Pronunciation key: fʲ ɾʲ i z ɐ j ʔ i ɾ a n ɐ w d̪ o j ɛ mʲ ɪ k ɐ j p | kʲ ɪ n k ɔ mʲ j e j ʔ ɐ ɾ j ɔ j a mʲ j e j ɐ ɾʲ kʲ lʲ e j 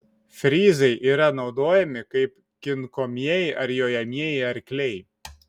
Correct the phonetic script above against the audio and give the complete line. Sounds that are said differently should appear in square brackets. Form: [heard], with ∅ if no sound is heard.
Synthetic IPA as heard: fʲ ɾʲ i z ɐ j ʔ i ɾ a n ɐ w d̪ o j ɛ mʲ ɪ k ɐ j p | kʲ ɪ n k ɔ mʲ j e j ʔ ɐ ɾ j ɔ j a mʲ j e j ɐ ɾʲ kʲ lʲ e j